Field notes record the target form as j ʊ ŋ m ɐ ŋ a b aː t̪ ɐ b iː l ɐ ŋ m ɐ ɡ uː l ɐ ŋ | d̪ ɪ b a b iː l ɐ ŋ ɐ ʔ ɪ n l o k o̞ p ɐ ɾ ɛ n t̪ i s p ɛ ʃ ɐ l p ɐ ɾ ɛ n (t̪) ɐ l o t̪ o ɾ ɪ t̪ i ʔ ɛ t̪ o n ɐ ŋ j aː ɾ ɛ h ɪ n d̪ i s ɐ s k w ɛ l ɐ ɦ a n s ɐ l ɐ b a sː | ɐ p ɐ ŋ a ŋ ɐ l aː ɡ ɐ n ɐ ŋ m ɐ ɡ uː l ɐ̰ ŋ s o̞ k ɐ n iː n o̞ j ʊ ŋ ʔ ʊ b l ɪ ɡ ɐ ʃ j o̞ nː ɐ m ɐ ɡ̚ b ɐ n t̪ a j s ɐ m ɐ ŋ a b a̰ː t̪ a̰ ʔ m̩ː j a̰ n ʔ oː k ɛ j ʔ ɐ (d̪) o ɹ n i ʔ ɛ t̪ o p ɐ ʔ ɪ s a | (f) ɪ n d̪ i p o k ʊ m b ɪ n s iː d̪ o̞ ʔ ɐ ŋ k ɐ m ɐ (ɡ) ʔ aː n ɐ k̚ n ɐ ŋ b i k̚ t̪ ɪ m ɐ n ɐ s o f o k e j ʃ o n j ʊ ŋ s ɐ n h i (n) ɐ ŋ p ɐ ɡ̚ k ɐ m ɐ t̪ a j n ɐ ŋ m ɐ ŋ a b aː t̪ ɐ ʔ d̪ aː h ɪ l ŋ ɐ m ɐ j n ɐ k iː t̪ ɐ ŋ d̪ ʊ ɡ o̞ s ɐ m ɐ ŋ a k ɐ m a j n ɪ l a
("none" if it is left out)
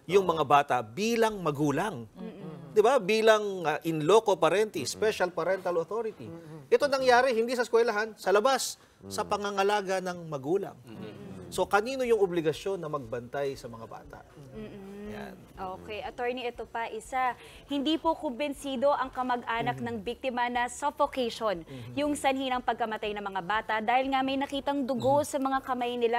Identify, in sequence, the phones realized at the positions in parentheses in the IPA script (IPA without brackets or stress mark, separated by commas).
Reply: t̪, t̪, h, ɡ, n